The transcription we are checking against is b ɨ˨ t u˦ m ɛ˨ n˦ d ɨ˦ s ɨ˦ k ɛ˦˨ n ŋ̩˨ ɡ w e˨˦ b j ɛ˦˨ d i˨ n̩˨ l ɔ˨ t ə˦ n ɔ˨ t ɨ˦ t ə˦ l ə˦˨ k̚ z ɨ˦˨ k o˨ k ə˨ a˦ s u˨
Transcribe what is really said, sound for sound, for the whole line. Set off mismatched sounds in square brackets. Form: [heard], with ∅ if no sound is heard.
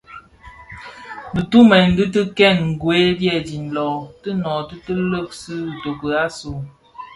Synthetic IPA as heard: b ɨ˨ t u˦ m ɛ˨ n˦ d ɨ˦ [t] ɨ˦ k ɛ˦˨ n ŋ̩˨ ɡ w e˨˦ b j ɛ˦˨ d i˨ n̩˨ l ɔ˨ t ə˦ n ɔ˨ t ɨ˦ t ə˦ l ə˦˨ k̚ [s] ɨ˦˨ [t] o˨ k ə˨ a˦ s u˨